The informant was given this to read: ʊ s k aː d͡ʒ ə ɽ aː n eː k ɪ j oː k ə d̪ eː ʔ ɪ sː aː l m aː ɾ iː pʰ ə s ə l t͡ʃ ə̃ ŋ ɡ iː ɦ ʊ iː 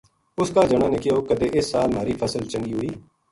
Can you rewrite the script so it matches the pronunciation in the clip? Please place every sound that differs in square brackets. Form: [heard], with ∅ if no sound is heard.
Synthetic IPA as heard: ʊ s k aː d͡ʒ ə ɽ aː n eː k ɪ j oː k ə d̪ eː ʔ ɪ sː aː l m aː ɾ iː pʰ ə s ə l t͡ʃ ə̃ ŋ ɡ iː ɦ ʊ iː